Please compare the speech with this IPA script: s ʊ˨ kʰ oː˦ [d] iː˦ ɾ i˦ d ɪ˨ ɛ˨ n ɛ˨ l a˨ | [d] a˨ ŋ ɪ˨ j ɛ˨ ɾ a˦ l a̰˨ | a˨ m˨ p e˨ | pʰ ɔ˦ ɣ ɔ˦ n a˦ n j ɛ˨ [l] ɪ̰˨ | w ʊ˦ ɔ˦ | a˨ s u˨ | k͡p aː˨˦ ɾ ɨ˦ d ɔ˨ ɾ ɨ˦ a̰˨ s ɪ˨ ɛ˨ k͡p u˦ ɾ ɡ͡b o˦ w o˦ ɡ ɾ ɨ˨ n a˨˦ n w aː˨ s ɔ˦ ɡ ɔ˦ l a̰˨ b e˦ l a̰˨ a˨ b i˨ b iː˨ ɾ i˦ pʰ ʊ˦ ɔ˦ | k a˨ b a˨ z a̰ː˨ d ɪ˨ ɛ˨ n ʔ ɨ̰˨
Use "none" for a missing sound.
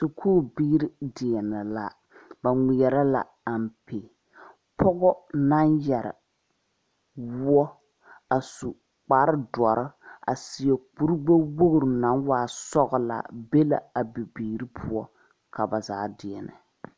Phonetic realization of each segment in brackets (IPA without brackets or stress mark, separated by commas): b, b, ɾ